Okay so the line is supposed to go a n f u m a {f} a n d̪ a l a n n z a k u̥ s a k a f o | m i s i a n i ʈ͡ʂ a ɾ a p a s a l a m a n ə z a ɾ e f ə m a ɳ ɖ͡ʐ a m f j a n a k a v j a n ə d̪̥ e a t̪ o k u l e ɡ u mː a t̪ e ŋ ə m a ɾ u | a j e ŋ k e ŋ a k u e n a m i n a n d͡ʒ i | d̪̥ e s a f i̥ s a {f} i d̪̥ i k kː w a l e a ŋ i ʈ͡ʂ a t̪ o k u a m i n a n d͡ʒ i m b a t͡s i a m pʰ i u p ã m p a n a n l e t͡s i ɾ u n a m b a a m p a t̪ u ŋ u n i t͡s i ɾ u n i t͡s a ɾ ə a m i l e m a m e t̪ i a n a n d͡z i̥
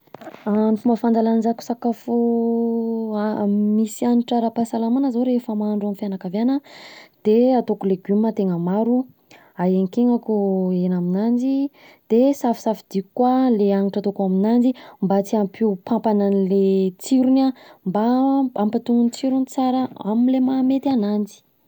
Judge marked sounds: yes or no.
yes, yes

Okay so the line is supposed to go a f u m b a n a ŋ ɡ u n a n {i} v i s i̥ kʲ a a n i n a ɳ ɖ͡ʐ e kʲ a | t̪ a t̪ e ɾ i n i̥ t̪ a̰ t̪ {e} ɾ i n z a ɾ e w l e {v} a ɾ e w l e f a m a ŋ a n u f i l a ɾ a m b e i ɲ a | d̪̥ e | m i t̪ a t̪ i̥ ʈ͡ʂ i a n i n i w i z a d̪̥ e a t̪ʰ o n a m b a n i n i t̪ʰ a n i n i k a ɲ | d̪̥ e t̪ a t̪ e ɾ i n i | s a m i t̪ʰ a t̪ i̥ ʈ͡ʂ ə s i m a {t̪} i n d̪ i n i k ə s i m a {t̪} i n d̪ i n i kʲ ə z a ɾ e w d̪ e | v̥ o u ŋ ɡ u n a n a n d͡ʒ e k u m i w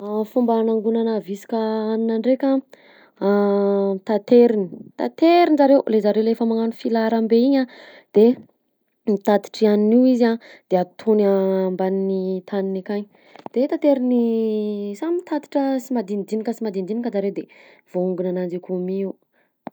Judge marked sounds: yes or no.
no, yes, no, no, no

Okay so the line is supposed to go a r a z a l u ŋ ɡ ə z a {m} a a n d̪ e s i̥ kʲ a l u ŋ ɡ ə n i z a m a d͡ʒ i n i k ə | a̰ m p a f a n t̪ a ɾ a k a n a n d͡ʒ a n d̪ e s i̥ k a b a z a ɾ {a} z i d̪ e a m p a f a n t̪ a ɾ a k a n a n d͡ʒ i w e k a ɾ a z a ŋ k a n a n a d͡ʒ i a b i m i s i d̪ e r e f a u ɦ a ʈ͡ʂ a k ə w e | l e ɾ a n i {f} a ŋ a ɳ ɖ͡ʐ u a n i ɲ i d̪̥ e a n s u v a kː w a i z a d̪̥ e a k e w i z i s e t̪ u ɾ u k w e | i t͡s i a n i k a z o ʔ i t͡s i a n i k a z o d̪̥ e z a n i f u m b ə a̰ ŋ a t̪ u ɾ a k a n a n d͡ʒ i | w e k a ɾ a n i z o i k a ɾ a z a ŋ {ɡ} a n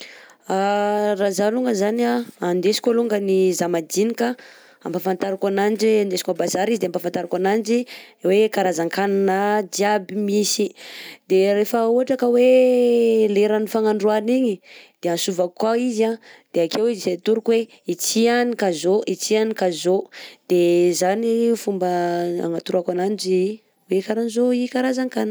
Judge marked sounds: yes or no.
no, no, yes, no

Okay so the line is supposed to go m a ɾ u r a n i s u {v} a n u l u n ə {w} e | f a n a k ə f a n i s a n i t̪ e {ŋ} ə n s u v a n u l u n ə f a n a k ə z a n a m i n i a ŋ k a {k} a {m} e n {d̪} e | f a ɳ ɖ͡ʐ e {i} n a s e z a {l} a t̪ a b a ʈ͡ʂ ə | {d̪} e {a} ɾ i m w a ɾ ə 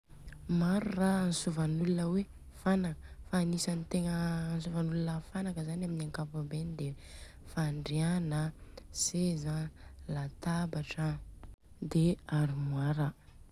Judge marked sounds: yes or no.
yes, yes, yes, no, no, yes, no, yes, yes, yes

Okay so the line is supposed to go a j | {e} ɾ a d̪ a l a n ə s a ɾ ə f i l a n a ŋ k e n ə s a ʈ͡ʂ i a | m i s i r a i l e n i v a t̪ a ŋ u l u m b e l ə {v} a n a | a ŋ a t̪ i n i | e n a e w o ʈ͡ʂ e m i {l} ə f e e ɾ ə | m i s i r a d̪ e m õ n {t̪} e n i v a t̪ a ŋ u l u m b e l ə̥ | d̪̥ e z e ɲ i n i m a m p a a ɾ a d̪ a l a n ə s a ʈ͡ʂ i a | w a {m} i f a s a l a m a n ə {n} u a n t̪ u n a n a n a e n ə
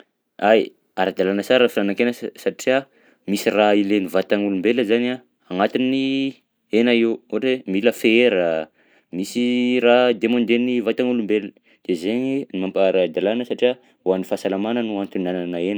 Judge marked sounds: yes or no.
no, no, yes, no, no, yes

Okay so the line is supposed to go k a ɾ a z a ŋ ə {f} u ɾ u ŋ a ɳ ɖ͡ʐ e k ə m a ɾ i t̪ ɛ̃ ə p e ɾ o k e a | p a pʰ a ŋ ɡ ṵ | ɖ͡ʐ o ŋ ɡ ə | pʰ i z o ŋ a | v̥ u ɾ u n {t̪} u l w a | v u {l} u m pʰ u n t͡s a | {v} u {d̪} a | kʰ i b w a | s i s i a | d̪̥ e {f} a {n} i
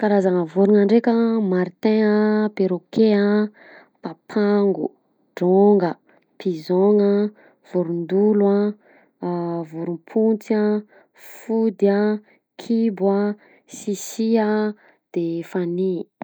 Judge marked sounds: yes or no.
no, no, no, no, yes, yes, yes

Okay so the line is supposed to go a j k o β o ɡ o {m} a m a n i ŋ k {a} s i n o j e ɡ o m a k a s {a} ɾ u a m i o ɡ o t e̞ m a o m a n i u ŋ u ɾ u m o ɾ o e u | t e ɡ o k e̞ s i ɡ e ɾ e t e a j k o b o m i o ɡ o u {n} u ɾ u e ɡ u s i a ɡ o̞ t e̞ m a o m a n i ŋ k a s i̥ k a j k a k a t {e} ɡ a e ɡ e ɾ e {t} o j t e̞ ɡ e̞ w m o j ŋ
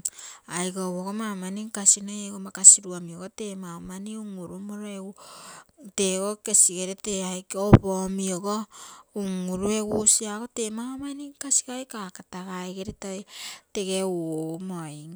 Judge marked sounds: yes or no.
yes, yes, no, no, no, yes

